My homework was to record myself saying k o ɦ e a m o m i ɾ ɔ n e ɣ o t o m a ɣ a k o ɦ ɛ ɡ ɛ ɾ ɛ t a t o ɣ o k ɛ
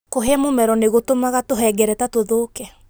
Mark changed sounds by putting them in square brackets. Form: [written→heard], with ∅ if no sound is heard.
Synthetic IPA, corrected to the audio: k o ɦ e a m o m [i→ɛ] ɾ ɔ n e ɣ o t o m a ɣ a [k→t] o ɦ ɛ ɡ ɛ ɾ ɛ t a t o [ɣ→ð] o k ɛ